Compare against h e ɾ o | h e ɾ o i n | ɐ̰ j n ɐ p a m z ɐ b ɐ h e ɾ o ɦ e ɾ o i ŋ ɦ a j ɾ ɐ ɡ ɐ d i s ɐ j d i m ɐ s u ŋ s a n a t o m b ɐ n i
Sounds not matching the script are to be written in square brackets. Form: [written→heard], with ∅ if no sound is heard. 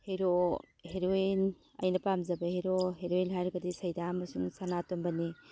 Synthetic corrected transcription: h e ɾ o | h e ɾ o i n | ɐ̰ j n ɐ p a m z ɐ b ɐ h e ɾ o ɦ e ɾ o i [ŋ→n] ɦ a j ɾ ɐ ɡ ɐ d i s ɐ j d [i→a] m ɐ s u ŋ s a n a t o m b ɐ n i